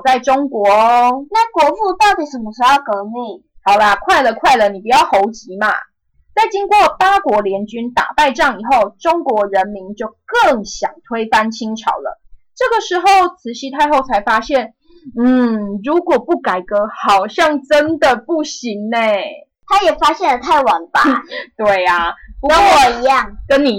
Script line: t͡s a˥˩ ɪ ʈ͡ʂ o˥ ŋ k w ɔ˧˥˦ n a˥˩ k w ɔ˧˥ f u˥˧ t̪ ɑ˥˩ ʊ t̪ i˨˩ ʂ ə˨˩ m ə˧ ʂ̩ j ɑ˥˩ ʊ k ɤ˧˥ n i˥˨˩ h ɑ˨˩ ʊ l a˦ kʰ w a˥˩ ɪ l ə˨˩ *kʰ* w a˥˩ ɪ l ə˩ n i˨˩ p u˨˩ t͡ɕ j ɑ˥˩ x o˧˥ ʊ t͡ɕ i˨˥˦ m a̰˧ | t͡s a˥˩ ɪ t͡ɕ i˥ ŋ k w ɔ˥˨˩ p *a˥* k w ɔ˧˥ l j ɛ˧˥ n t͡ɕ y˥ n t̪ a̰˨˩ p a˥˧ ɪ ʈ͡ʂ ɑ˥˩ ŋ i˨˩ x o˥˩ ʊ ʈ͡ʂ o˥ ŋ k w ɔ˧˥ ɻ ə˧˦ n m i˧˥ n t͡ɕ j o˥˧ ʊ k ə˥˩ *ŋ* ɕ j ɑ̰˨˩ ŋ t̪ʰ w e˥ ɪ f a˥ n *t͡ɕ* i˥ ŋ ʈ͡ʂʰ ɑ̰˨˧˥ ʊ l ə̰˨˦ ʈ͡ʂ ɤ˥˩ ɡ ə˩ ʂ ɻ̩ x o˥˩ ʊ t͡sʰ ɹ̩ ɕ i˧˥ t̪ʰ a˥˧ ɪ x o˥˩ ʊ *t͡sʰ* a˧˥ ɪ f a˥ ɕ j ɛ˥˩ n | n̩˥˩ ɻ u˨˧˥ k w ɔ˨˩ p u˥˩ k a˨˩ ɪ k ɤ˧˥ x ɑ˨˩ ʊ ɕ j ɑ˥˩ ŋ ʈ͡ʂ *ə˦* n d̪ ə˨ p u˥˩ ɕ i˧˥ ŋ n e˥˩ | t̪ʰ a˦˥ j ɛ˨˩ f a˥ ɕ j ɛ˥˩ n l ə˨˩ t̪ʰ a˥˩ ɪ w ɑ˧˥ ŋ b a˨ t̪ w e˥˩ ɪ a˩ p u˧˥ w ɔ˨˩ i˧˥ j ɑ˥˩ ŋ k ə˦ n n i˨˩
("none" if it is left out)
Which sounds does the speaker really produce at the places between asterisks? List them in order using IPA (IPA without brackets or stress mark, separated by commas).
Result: kʰ, a˥, ŋ, t͡ɕʰ, t͡sʰ, ə˦